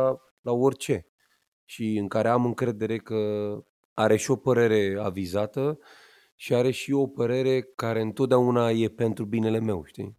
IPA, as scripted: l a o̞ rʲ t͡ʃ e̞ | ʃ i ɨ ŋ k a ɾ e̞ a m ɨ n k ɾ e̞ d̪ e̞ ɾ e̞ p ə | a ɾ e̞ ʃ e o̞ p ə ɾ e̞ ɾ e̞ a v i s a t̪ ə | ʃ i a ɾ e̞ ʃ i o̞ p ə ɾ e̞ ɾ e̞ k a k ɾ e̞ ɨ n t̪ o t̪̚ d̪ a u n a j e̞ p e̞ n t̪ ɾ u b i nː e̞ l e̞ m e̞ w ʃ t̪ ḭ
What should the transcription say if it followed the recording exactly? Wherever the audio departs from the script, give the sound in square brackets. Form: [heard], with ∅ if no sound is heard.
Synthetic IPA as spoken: l a o̞ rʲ t͡ʃ e̞ | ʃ i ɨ ŋ k a ɾ e̞ a m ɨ [ŋ] k ɾ e̞ d̪ e̞ ɾ e̞ [k] ə | a ɾ e̞ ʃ [i] o̞ p ə ɾ e̞ ɾ e̞ a v i [z] a t̪ ə | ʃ i a ɾ e̞ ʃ i o̞ p ə ɾ e̞ ɾ e̞ k a [∅] ɾ e̞ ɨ n t̪ o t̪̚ d̪ a u n a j e̞ p e̞ n t̪ ɾ u b i [n] e̞ l e̞ m e̞ w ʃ t̪ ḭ